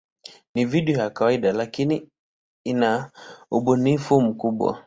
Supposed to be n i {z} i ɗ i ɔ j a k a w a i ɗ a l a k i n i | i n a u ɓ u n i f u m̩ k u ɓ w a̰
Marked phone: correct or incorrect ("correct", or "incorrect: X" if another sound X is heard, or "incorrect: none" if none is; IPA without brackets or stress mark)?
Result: incorrect: v